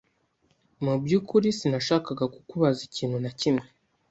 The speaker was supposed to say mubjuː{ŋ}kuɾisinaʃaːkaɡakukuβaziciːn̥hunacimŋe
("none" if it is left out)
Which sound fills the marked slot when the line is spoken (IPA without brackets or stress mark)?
none